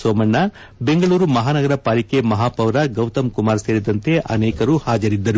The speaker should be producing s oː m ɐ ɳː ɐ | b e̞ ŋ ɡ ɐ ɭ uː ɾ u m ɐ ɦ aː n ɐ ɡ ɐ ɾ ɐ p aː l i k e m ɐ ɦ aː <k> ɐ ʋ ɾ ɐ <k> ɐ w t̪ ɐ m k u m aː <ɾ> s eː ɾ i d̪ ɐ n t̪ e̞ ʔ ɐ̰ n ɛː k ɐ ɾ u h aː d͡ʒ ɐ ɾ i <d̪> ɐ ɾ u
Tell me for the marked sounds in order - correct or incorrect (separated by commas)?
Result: incorrect, incorrect, correct, incorrect